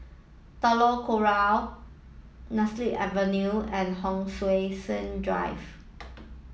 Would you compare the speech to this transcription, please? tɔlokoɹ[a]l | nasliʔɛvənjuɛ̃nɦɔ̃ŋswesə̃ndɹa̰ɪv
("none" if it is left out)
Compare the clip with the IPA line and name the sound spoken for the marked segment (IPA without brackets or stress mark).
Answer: a